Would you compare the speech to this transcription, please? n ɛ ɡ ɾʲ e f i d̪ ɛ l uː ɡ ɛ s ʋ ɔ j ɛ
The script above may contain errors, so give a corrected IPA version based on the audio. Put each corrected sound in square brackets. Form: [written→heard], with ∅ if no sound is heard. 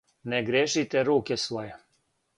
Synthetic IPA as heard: n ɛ ɡ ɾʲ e [f→ʃ] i [d̪→t̪] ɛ [l→ɾ] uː [ɡ→k] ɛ s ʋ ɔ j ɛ